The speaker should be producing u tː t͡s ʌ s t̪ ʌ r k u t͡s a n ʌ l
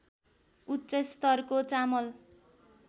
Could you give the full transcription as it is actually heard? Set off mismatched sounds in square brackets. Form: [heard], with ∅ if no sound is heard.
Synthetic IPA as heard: u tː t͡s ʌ s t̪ ʌ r k [o] t͡s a [m] ʌ l